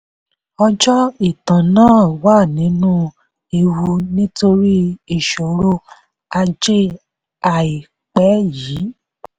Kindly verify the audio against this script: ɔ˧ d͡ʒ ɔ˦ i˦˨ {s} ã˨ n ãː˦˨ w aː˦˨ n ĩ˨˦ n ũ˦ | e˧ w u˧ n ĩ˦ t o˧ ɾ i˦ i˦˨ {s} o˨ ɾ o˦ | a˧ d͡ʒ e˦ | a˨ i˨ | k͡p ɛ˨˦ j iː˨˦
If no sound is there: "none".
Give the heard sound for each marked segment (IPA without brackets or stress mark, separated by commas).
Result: t, ʃ